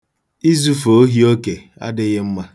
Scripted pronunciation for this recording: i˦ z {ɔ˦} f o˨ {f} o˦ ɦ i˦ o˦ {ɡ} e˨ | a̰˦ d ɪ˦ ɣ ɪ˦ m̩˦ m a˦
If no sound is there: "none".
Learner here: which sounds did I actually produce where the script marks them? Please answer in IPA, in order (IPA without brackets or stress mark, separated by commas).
u˦, none, k